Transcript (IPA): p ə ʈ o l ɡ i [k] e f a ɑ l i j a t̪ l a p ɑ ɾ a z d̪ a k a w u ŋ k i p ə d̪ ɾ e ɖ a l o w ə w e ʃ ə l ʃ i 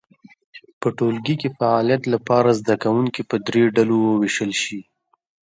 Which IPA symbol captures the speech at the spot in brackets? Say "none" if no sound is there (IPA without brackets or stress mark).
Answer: k